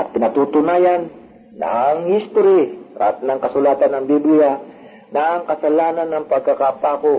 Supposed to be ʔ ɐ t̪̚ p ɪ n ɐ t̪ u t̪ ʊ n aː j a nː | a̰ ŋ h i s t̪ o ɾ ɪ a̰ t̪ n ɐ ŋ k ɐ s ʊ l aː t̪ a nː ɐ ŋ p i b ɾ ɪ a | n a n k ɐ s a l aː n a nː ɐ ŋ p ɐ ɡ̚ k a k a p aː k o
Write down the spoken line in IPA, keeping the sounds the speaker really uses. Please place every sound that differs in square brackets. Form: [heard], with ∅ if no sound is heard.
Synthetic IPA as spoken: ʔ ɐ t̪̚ p ɪ n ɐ t̪ u t̪ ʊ n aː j a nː | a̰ ŋ h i s t̪ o ɾ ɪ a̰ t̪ n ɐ ŋ k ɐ s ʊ l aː t̪ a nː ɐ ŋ [b] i b [l] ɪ a | n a [ŋ] k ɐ s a l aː n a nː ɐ ŋ p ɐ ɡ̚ k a k a p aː k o